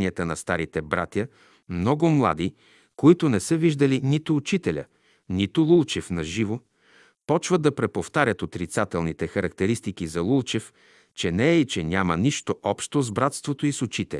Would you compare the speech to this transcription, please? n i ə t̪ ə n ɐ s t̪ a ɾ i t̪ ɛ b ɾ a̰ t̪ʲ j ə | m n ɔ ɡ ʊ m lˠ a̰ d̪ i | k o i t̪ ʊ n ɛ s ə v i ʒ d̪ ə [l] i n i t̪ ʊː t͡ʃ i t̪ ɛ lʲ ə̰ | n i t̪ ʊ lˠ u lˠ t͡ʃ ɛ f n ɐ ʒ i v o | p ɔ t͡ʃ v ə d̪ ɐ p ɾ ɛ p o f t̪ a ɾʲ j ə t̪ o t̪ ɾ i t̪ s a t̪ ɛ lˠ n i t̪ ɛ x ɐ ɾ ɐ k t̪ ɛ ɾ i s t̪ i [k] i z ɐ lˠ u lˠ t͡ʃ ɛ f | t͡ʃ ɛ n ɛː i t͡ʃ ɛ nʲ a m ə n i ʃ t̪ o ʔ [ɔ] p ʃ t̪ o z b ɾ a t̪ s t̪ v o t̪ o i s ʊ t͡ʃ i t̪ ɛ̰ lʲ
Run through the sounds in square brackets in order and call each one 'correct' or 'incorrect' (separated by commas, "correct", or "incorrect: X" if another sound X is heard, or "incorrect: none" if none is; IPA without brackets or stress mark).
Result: correct, correct, correct